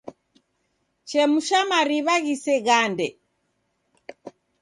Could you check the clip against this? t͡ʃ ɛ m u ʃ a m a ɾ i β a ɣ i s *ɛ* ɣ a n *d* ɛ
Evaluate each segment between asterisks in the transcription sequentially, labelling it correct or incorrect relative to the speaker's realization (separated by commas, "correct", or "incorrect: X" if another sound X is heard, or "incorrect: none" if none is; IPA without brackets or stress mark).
correct, correct